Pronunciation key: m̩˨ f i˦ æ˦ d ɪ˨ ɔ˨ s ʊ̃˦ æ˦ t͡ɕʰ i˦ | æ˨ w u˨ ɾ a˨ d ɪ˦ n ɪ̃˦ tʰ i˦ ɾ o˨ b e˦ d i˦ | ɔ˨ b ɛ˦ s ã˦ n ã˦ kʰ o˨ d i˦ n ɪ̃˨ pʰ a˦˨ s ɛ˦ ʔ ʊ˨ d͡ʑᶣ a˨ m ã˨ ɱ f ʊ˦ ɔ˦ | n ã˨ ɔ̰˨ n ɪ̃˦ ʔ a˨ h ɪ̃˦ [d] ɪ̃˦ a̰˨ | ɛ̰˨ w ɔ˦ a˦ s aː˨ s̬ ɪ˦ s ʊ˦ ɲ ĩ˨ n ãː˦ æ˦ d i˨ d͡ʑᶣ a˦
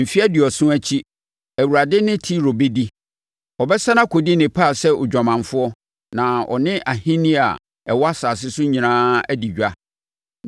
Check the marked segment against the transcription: incorrect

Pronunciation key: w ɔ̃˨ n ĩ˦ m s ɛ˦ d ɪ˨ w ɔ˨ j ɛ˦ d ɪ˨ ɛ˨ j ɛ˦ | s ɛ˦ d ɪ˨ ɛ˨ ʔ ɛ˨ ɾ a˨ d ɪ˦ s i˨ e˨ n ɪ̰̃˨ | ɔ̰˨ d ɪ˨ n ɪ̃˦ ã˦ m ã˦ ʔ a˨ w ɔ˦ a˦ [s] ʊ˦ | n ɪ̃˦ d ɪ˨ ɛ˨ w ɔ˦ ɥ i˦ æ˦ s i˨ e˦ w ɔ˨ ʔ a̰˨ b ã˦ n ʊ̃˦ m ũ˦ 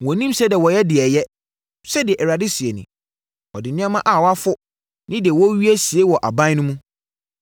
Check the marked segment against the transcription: incorrect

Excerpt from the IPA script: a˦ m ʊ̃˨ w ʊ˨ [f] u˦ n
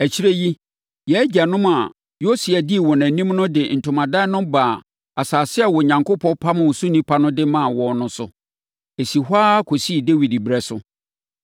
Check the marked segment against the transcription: incorrect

